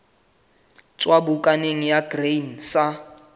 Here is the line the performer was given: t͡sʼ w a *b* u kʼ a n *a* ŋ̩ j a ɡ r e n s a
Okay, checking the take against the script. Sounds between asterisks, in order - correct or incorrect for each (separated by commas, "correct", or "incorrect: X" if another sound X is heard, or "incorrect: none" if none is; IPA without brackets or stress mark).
correct, incorrect: e